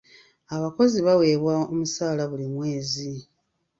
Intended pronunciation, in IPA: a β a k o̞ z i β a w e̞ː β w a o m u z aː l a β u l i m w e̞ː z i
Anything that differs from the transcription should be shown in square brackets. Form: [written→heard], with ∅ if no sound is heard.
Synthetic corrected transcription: a β a k o̞ z i β a w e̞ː β w a o m u [z→s] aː l a β u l i m w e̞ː z i